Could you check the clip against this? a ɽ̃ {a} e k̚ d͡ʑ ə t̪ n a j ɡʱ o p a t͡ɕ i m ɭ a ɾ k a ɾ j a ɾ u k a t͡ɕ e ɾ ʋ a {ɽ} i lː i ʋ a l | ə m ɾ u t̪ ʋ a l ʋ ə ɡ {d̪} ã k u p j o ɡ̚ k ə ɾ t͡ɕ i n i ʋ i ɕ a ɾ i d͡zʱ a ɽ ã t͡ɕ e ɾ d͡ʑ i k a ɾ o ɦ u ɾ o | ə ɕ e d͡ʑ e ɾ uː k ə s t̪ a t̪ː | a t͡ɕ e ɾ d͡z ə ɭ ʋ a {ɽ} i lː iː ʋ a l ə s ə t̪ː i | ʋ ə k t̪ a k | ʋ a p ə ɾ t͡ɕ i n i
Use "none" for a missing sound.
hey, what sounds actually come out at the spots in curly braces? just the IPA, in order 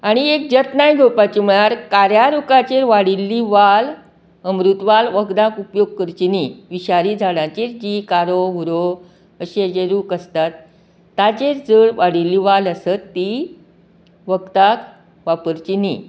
i, ɽ, d̪, ɽ

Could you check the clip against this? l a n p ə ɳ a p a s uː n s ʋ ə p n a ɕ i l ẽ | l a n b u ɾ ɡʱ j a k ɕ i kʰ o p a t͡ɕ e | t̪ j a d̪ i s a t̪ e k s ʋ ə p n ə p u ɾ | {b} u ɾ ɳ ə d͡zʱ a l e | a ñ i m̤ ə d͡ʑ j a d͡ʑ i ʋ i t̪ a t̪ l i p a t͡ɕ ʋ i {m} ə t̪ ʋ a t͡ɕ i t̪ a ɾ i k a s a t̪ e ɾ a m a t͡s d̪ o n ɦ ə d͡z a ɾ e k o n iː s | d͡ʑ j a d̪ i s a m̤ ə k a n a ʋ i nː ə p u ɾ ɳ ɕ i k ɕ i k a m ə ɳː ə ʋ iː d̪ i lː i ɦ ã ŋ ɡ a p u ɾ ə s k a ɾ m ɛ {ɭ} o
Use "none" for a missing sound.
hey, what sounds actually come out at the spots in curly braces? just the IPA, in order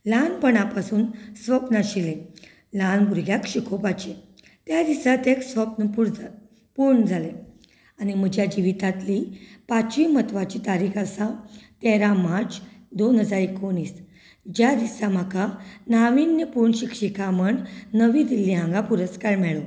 p, m, ɭ

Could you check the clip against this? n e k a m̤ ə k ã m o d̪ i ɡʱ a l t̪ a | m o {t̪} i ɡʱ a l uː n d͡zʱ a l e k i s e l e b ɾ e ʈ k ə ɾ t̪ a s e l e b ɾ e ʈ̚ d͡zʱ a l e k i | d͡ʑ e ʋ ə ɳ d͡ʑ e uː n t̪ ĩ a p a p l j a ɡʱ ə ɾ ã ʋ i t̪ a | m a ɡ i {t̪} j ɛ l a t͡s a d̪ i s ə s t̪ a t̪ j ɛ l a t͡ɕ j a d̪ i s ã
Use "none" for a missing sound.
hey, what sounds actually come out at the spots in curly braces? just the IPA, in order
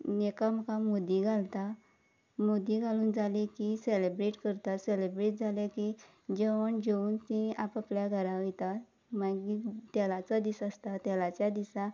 d̪, t̪

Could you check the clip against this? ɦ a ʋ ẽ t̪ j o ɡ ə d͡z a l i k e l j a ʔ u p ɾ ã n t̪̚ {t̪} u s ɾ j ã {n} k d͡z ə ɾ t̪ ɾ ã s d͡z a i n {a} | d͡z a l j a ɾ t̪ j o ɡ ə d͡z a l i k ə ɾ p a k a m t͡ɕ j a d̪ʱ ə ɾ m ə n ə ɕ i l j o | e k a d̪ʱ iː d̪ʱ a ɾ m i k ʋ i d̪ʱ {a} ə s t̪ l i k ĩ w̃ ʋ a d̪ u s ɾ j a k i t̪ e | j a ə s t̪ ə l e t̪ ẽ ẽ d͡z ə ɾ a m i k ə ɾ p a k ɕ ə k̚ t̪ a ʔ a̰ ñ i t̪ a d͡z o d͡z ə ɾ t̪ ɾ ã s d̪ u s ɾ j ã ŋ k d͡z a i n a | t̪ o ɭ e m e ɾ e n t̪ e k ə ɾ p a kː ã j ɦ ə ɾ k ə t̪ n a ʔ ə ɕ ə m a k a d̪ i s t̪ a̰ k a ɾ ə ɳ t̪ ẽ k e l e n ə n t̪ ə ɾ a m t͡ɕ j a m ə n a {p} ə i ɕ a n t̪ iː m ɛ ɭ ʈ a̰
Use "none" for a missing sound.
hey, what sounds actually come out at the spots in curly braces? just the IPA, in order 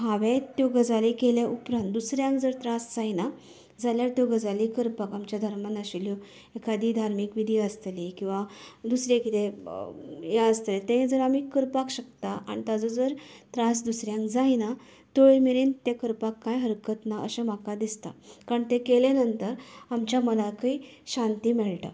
d̪, ŋ, a, i, k

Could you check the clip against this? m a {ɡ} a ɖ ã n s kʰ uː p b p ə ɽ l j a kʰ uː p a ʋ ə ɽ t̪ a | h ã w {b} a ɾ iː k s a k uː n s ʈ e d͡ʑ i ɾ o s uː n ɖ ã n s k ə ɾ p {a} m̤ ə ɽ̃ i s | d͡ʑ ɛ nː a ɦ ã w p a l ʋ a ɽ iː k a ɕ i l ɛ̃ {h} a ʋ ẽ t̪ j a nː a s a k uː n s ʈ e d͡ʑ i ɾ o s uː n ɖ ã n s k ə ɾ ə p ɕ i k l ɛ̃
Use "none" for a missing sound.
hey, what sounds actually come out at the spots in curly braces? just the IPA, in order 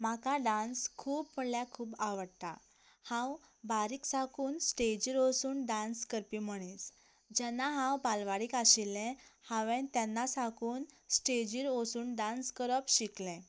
k, b, i, h

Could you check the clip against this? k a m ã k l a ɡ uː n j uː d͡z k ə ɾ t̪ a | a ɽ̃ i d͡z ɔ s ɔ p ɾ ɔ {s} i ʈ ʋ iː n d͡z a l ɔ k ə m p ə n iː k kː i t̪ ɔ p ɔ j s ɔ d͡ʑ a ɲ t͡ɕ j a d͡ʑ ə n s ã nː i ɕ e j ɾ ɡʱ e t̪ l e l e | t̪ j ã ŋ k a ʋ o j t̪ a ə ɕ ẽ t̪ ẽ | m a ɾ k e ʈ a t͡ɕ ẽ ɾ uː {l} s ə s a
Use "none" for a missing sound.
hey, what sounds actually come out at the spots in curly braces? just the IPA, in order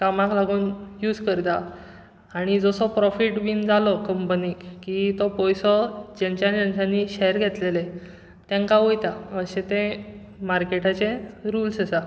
f, l

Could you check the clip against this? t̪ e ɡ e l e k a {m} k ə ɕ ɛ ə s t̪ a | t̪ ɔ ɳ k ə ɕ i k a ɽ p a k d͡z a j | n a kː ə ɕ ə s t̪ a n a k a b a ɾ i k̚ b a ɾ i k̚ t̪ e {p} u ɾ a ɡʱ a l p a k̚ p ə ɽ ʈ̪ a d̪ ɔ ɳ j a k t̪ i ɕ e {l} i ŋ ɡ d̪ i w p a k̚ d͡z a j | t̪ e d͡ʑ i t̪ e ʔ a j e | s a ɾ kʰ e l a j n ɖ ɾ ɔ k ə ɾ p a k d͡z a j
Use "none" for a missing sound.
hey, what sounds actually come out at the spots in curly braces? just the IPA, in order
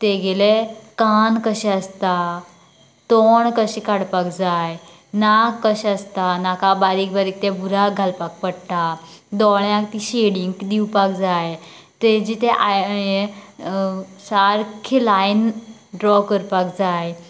n, b, ɽ

